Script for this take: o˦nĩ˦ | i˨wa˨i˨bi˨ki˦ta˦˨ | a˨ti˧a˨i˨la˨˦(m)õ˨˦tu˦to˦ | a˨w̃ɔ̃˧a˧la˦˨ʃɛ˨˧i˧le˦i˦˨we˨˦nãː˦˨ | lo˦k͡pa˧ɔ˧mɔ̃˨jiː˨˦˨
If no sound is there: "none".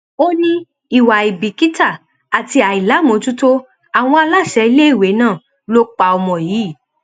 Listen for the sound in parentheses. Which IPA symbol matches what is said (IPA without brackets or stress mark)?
m